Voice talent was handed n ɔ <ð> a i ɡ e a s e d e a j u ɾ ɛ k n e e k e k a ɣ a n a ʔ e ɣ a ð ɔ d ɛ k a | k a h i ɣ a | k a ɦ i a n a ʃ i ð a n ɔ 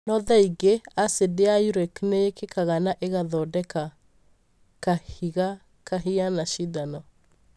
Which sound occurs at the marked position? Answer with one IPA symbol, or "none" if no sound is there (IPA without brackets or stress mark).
ð